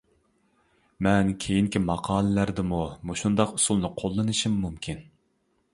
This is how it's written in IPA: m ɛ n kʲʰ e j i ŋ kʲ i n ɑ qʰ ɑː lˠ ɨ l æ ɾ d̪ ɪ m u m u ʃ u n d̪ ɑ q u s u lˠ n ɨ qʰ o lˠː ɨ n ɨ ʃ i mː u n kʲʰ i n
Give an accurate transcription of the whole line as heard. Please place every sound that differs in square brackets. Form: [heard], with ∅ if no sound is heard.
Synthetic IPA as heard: m ɛ n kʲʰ e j i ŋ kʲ i [m] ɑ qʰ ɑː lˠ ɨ l æ ɾ d̪ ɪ m u m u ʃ u n d̪ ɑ q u s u lˠ n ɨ qʰ o lˠː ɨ n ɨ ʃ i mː u [m] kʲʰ i n